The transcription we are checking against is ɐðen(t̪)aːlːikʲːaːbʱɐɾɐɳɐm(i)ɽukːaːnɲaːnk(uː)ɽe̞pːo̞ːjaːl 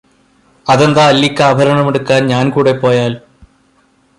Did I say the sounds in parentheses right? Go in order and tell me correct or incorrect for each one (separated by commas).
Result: incorrect, incorrect, correct